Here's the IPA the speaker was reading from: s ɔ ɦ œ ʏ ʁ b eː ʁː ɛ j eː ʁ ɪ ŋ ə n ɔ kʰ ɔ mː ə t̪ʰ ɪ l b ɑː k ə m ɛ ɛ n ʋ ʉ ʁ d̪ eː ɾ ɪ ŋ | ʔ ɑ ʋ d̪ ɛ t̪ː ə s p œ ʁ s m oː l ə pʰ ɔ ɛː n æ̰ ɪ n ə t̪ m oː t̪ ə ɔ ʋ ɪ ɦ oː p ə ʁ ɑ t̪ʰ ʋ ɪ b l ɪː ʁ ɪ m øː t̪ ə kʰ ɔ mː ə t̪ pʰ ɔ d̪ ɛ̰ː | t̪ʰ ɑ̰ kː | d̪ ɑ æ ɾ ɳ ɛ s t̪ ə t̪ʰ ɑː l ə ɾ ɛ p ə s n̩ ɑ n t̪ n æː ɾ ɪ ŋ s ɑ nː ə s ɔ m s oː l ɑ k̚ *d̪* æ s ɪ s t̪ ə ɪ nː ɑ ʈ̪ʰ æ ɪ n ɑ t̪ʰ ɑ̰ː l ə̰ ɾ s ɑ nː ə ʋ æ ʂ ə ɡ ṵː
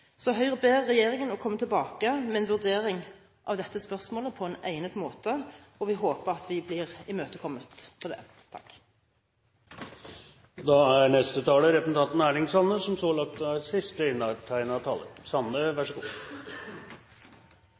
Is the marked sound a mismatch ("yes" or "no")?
yes